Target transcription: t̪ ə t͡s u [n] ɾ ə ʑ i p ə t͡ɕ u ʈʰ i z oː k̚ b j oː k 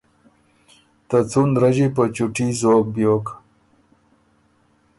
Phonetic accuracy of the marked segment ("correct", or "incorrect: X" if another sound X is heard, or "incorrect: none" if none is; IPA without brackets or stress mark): correct